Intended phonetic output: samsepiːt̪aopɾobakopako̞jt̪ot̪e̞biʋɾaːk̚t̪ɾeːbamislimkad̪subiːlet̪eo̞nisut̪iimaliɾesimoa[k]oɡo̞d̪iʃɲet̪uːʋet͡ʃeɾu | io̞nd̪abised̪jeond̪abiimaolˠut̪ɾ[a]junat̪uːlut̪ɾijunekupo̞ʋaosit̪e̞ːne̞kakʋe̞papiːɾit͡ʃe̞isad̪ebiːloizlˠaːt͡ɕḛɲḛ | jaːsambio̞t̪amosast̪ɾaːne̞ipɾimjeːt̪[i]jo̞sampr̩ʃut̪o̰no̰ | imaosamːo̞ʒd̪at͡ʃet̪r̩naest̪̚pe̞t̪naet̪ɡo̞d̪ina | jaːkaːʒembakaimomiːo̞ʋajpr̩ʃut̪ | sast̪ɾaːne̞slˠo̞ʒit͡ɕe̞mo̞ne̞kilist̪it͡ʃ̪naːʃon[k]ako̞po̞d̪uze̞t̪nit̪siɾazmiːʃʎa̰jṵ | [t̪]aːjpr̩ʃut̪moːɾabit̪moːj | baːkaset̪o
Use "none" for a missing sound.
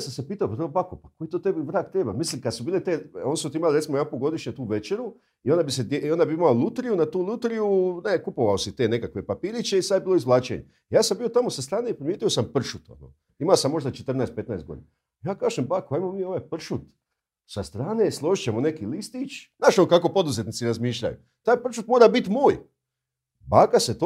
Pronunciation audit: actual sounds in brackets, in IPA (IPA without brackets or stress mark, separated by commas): p, i, i, k, t̪